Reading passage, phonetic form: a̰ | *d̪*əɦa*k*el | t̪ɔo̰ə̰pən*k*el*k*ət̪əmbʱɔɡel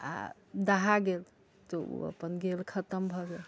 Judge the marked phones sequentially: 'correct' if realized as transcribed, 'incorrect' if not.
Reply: correct, incorrect, incorrect, incorrect

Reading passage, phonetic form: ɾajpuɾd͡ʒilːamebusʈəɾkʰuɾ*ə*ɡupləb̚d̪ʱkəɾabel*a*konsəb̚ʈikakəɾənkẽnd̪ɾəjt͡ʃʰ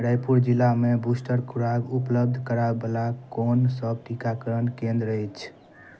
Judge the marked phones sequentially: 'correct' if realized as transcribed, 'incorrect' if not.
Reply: incorrect, correct

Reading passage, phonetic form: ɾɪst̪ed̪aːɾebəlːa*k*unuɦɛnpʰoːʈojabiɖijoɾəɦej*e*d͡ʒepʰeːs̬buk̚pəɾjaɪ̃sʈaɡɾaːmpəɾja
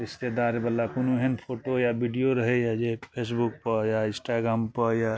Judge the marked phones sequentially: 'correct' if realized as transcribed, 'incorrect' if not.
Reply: correct, incorrect

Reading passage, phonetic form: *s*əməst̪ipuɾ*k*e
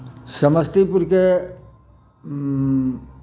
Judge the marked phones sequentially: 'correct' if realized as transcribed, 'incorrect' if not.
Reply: correct, correct

